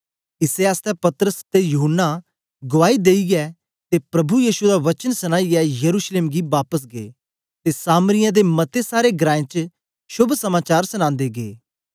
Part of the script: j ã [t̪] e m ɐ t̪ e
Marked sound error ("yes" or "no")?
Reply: yes